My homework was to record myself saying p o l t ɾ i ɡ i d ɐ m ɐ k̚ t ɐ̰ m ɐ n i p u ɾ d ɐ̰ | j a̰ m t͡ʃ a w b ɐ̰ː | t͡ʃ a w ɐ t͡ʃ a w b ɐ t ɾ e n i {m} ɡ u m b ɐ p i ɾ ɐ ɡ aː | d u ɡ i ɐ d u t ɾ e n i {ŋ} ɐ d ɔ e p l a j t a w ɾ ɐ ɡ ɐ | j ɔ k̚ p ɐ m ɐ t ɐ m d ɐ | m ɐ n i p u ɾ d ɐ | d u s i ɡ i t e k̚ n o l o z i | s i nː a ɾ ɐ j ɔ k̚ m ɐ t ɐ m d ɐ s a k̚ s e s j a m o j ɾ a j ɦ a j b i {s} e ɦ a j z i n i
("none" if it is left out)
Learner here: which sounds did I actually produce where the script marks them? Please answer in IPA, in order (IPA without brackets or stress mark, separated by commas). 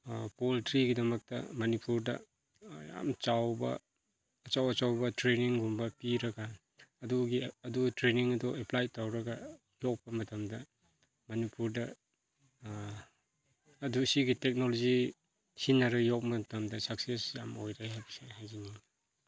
ŋ, ŋ, s